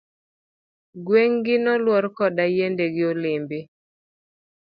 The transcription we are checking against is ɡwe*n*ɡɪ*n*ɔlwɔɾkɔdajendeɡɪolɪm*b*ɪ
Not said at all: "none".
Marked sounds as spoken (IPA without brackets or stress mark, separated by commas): ŋ, n, b